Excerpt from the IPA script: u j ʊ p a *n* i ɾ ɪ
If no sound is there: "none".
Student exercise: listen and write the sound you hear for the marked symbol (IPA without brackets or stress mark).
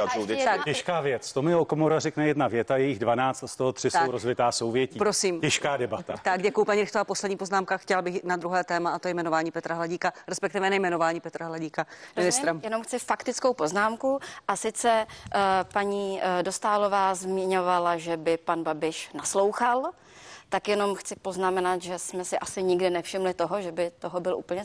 ɲ